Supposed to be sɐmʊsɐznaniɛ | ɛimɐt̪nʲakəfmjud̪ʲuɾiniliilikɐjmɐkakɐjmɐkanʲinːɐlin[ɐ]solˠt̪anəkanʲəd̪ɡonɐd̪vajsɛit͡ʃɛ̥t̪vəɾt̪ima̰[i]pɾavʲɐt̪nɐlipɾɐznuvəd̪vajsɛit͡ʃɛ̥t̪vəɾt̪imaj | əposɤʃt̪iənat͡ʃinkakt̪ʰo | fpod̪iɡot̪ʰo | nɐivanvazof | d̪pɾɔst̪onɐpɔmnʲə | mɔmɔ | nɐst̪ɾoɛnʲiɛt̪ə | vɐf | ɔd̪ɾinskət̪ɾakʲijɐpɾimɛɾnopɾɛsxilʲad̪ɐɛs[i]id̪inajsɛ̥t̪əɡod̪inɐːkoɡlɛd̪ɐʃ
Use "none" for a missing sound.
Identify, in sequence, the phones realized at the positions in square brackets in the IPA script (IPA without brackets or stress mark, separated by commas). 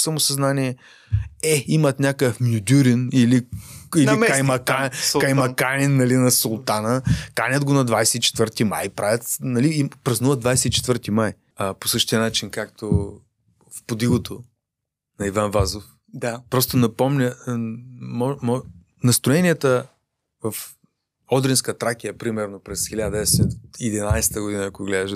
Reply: ɐ, j, ɛ